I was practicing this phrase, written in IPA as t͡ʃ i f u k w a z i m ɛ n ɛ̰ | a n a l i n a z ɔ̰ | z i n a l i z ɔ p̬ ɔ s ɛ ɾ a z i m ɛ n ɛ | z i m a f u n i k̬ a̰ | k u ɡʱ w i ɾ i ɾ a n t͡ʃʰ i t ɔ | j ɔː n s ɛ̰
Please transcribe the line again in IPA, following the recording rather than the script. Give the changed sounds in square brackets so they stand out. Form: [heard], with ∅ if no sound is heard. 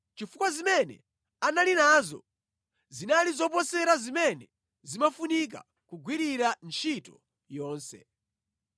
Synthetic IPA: t͡ʃ i f u k w a z i m ɛ n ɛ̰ | a n a l i n a z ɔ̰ | z i n a l i z ɔ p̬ ɔ s ɛ ɾ a z i m ɛ n ɛ | z i m a f u n i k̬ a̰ | k u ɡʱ w i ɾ i ɾ a n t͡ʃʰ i t ɔ | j ɔː n s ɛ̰